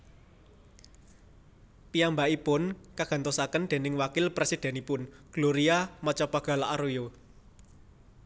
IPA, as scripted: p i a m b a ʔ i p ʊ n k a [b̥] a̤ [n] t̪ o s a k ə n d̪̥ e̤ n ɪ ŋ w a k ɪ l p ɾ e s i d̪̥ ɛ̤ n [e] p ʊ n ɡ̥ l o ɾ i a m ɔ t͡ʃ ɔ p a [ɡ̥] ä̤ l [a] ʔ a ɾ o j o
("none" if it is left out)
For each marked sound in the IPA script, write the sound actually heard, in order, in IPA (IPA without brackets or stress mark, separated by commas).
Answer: ɡ̥, n, i, ɡ̥, a